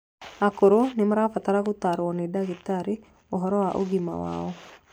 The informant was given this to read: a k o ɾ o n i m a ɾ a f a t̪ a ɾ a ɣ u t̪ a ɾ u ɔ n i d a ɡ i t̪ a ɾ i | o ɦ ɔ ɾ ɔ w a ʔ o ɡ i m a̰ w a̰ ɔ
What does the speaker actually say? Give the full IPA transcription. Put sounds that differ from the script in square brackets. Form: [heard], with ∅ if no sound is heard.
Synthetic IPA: a k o ɾ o n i m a ɾ a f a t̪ a ɾ a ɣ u t̪ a ɾ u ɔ n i d a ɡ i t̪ a ɾ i | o ɦ ɔ ɾ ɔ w a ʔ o ɡ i m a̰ w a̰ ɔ